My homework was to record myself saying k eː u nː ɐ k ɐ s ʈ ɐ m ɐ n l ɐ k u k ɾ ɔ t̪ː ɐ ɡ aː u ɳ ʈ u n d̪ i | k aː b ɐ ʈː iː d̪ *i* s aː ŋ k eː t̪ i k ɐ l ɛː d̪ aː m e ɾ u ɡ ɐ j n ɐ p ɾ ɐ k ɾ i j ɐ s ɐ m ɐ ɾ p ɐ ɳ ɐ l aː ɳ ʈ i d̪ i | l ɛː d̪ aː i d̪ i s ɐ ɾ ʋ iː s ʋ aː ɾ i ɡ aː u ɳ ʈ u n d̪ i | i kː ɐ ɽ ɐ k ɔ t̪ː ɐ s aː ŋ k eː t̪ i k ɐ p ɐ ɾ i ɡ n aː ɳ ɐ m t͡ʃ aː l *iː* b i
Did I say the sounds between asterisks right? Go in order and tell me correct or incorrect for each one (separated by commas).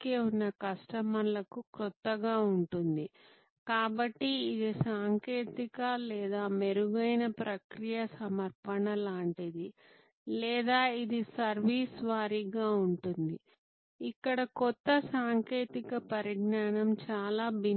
correct, incorrect